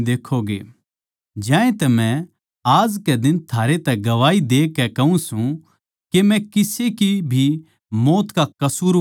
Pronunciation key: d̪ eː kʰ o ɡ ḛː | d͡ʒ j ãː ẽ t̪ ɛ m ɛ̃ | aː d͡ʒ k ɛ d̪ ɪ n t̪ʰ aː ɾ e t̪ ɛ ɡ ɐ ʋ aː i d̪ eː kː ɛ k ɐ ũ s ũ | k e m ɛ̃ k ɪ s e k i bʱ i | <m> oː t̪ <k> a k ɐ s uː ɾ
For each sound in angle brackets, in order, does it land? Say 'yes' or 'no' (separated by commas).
yes, yes